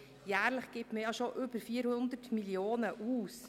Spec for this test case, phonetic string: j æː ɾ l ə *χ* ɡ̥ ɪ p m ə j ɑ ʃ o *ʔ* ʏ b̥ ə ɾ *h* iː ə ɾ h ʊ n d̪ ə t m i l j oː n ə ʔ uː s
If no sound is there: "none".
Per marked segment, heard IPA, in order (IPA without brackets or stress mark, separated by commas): χ, ʔ, f